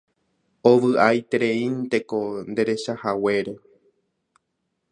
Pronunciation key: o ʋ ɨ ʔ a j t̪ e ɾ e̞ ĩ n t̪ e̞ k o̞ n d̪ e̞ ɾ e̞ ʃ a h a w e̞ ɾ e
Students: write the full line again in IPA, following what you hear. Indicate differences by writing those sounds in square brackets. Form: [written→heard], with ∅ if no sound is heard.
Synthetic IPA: o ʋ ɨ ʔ a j t̪ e ɾ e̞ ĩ n t̪ e̞ k o̞ n d̪ e̞ ɾ e̞ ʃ a h a w e̞ ɾ e

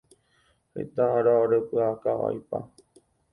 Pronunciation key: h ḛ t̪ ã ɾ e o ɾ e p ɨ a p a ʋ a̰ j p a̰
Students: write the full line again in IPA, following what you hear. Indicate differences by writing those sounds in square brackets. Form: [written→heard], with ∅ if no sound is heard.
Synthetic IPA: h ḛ t̪ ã ɾ [e→a] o ɾ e p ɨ a [p→k] a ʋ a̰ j p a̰

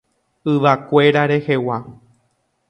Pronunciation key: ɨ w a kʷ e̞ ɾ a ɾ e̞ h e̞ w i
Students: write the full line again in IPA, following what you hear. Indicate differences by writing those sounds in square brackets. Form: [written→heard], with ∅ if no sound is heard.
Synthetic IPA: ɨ [w→ʋ] a kʷ e̞ ɾ a ɾ e̞ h e̞ w [i→a]

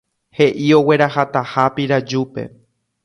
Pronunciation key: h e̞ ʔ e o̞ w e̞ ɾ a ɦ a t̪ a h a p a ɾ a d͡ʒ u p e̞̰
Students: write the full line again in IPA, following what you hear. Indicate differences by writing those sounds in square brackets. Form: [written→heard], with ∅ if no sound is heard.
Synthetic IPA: h e̞ ʔ [e→i] o̞ w e̞ ɾ a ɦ a t̪ a h a p [a→i] ɾ a d͡ʒ u p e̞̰

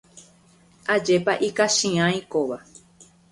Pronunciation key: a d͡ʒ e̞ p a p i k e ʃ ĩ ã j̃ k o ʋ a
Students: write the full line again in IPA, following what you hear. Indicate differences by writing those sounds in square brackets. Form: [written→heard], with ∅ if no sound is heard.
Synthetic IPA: a d͡ʒ e̞ p a [p→ʔ] i k [e→a] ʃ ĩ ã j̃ k o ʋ a

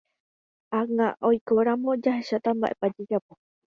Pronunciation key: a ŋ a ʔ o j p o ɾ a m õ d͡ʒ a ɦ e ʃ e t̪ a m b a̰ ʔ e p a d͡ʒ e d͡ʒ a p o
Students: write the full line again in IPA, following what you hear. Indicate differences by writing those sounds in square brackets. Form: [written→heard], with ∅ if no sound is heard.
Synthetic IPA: a ŋ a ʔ o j [p→k] o ɾ a m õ d͡ʒ a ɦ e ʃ [e→a] t̪ a m b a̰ ʔ e p a d͡ʒ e d͡ʒ a p o

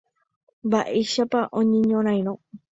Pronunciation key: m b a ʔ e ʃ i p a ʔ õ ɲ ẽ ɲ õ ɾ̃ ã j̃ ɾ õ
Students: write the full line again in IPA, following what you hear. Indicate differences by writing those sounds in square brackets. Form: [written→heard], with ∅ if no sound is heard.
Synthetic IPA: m b a ʔ e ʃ [i→a] p a ʔ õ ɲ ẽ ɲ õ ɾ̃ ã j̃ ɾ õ

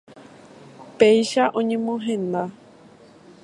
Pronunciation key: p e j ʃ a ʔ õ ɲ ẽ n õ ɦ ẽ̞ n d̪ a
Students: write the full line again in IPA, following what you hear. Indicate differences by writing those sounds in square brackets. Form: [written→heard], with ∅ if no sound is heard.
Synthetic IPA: p e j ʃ a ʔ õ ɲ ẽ [n→m] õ ɦ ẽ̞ n d̪ a

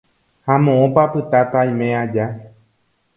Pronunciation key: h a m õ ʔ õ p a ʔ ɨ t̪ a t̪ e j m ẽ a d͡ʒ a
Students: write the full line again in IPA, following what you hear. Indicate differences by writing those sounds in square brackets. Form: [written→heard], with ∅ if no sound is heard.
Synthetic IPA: h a m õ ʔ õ p a [ʔ→p] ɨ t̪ a t̪ [e→a] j m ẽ a d͡ʒ a

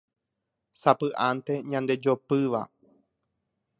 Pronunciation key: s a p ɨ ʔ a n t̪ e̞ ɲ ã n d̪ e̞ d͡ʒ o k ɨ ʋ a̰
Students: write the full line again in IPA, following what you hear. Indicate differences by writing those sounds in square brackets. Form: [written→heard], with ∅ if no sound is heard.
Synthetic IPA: s a p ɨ ʔ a n t̪ e̞ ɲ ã n d̪ e̞ d͡ʒ o [k→p] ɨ ʋ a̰

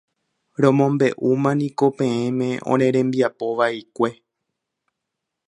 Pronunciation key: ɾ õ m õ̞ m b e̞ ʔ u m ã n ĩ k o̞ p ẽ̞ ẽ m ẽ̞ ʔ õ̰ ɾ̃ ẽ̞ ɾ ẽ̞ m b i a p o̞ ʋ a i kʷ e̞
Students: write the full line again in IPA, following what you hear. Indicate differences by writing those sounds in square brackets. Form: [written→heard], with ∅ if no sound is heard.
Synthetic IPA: ɾ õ m õ̞ m b e̞ ʔ u m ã n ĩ k o̞ p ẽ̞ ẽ m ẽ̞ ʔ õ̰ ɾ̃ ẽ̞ ɾ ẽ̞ m b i a p o̞ ʋ a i kʷ e̞

